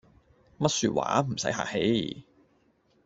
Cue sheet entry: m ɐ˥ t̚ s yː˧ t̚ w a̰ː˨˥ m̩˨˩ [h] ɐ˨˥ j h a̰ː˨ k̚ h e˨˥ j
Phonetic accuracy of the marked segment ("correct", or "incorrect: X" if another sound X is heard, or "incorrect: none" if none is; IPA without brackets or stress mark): incorrect: s